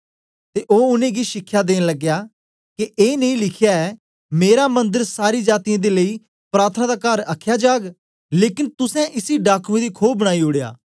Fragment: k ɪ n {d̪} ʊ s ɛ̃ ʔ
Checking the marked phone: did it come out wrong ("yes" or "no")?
yes